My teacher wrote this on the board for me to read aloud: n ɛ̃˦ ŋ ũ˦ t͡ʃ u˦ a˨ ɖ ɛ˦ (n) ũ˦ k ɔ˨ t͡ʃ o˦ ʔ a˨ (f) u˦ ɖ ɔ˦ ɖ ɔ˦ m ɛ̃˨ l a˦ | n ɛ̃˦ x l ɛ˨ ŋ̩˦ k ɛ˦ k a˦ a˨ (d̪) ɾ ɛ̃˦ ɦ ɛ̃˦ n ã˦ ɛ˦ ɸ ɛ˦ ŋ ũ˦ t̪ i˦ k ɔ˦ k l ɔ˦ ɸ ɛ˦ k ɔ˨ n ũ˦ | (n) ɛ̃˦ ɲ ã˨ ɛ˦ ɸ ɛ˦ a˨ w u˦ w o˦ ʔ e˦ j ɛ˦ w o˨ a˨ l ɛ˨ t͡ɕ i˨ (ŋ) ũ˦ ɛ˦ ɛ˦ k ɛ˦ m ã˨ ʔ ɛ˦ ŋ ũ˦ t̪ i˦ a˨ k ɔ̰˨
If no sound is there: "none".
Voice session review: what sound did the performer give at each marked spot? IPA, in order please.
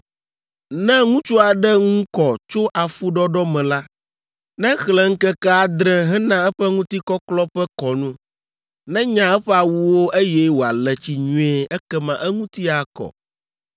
ŋ, f, d̪, n, ɲ

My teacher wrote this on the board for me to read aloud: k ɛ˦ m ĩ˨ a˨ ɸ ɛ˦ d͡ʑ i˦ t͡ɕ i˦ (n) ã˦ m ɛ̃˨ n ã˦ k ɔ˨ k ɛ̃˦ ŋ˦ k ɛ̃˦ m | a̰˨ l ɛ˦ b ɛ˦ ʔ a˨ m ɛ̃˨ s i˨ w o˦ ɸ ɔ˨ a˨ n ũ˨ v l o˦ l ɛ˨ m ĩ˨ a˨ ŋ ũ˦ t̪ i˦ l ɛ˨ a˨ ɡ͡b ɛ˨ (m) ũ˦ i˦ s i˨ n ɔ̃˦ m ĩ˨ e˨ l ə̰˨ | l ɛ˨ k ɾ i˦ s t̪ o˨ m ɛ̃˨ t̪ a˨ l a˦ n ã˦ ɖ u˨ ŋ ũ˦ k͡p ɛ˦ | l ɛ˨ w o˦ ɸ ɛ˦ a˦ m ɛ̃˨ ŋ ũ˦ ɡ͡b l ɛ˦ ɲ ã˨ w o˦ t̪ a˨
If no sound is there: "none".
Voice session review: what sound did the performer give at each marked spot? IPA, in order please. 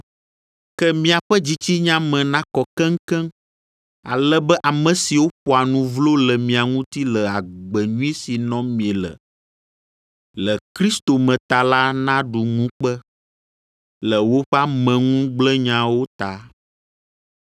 ɲ, ɲ

